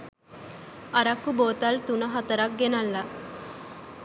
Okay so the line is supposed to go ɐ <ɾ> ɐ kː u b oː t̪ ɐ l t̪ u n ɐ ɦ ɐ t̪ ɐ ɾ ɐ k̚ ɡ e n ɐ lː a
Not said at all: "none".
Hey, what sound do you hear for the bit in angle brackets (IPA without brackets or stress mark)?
ɾ